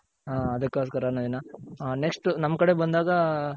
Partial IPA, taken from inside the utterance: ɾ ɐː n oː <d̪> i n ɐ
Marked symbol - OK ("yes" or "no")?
yes